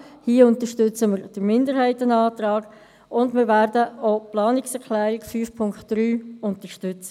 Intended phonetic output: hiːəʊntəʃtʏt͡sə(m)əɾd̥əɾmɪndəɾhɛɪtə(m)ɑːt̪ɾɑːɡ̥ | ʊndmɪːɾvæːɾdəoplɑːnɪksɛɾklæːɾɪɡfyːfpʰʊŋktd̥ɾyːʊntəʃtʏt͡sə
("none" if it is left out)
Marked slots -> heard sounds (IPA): m, n

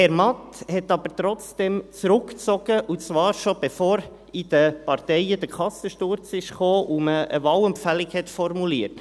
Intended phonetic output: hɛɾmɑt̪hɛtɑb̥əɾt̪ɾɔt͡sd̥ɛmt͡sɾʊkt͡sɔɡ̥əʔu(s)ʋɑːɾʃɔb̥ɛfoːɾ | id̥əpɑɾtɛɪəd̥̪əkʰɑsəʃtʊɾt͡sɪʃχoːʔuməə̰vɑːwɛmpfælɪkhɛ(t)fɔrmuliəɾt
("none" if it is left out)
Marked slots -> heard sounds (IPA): t͡s, t

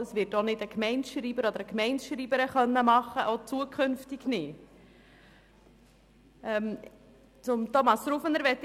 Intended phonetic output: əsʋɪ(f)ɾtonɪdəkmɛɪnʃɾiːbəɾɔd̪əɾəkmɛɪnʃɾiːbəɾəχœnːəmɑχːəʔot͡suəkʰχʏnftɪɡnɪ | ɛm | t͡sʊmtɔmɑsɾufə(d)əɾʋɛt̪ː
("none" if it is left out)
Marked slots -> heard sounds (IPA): none, n

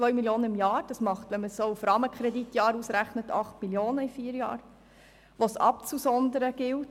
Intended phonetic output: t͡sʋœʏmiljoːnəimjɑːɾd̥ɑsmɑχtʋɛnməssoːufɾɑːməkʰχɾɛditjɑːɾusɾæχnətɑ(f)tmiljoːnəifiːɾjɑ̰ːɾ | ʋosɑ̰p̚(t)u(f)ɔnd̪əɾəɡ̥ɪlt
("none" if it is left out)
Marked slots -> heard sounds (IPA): χ, t͡s, s

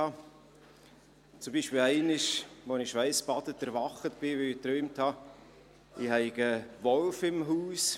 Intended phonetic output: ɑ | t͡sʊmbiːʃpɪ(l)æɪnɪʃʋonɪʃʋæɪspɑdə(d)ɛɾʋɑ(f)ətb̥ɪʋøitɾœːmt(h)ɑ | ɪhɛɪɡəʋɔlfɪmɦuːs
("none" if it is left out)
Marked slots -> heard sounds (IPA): l, t, χ, h

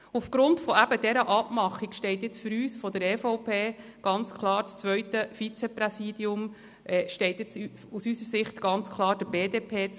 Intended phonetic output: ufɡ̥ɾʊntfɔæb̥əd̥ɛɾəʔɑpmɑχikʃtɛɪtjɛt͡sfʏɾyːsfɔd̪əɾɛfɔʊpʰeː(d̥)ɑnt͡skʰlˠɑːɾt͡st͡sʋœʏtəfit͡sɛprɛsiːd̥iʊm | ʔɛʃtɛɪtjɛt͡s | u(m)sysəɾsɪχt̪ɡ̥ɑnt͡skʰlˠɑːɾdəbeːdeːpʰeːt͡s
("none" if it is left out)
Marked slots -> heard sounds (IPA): ɡ̥, none

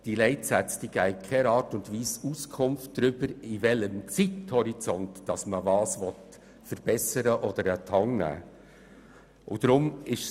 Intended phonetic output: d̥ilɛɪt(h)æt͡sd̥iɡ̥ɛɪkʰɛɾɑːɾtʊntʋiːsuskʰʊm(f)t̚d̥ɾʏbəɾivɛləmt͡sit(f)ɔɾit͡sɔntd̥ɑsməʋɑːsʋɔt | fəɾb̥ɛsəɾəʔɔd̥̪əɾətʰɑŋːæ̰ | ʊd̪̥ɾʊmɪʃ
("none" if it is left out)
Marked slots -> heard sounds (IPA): s, f, h

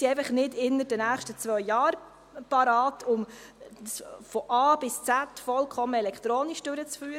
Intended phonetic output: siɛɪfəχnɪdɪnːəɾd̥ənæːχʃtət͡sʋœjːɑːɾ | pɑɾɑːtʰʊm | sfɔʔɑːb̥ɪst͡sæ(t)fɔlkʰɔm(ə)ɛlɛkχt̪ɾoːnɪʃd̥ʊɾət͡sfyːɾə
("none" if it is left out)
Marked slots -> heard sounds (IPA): t, ə

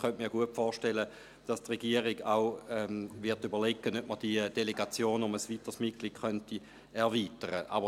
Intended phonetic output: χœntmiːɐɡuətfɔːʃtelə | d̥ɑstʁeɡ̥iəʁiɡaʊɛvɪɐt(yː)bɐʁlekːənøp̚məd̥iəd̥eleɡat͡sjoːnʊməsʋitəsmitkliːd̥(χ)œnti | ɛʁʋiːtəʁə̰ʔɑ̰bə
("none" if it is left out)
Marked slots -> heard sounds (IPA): y, χ

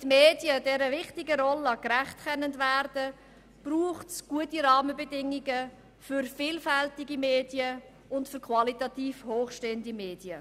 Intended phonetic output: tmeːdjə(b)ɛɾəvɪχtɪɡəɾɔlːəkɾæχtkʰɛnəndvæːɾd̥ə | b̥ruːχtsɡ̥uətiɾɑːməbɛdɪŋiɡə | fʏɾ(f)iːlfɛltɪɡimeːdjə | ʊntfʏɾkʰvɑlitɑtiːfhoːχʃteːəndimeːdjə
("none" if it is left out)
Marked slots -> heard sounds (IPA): d, f

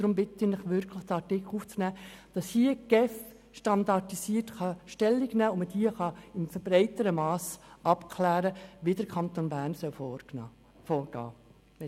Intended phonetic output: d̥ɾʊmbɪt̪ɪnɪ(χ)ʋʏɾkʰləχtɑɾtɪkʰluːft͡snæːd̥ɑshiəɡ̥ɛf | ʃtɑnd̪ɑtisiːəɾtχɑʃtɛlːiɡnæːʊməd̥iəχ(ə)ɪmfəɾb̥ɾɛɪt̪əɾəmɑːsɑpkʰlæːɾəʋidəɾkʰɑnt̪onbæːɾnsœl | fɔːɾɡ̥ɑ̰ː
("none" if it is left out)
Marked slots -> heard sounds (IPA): χ, ɑ

